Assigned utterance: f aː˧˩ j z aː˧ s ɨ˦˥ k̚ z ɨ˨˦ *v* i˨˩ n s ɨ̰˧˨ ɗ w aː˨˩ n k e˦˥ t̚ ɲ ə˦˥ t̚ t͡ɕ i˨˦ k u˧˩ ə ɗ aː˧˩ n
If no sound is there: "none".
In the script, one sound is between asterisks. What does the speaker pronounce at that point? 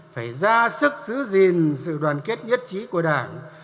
z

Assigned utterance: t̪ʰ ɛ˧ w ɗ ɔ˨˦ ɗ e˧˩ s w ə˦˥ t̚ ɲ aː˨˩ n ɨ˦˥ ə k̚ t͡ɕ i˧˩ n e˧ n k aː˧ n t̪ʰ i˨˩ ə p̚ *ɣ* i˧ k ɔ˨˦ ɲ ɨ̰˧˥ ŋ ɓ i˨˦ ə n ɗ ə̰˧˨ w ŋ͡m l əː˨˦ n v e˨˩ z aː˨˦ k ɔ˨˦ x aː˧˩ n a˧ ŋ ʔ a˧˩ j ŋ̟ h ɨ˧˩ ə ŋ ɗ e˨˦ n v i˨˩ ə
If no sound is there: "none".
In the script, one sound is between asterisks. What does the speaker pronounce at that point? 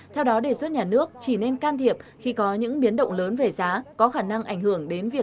x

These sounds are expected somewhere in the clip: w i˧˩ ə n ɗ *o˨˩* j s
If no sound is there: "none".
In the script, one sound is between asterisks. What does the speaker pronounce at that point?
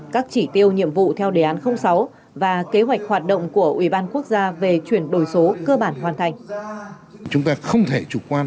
o˨˩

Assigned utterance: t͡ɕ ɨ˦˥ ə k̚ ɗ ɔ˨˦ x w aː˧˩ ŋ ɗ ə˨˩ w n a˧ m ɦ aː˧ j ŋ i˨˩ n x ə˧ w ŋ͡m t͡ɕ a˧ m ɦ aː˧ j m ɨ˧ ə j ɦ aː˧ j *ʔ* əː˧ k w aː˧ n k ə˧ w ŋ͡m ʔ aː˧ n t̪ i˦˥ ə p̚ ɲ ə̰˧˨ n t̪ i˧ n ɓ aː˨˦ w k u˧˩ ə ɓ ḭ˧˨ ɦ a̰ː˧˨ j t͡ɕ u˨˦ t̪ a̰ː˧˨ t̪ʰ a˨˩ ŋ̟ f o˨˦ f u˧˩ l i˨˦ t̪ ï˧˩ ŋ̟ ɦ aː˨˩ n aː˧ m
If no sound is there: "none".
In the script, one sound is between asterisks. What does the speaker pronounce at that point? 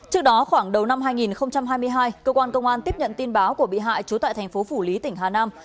k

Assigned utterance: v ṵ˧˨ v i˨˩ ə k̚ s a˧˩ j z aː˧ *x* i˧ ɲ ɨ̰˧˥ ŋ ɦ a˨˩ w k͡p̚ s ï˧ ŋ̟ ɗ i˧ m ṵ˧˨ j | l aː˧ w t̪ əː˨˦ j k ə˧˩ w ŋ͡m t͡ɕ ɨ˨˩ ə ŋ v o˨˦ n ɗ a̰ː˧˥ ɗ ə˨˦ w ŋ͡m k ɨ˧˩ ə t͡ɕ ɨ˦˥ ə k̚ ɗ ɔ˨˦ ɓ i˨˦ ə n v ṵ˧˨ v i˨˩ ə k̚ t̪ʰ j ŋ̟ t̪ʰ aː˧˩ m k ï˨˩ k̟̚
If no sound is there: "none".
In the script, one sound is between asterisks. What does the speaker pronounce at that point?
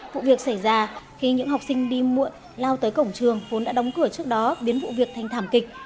x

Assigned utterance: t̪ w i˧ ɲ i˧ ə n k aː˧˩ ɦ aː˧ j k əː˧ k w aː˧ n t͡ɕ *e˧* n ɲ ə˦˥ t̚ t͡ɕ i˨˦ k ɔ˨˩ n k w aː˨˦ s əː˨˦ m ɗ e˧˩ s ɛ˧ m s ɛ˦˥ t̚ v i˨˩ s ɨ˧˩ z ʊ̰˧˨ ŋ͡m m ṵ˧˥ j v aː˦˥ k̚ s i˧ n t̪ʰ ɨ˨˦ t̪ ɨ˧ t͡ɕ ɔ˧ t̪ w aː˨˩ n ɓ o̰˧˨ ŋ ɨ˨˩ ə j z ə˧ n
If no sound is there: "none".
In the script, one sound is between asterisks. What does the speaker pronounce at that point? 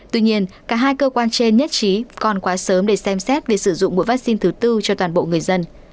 e˧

